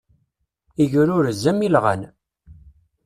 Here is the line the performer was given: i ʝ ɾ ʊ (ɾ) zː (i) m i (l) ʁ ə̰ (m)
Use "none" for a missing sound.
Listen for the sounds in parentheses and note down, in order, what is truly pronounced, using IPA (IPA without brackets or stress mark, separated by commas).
ɾ, æ, l, n